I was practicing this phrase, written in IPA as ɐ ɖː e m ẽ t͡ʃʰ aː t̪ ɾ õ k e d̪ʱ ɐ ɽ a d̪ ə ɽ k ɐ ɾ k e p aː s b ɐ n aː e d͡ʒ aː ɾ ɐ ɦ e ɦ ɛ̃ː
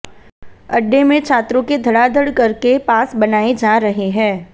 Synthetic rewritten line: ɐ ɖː e m ẽ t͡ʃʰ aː t̪ ɾ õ k e d̪ʱ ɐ ɽ a d̪ ə ɽ k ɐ ɾ k e p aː s b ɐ n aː e d͡ʒ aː ɾ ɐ ɦ e ɦ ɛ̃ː